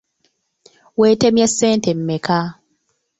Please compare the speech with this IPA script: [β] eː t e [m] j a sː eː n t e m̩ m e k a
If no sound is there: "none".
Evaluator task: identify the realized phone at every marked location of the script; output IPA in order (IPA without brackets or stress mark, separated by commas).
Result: w, m